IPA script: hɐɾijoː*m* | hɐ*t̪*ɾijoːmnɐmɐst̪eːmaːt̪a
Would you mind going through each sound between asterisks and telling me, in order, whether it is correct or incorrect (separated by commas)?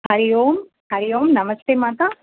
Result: correct, incorrect